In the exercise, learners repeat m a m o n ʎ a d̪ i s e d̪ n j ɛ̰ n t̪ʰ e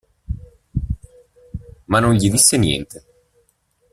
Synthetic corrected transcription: m a n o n ʎ i d̪ i sː e n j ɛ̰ n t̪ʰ e